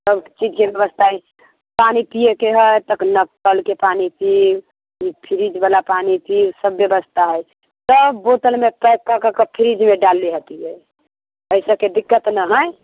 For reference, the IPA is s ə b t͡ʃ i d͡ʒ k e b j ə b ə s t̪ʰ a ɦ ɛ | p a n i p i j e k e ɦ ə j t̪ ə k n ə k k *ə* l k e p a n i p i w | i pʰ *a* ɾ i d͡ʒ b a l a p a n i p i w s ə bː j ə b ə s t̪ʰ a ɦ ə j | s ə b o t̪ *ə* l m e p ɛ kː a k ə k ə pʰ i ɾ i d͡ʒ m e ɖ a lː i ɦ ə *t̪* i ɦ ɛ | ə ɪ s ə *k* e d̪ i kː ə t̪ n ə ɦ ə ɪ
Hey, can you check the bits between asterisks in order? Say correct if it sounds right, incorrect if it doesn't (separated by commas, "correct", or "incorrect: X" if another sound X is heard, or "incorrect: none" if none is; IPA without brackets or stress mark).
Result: correct, incorrect: i, correct, correct, correct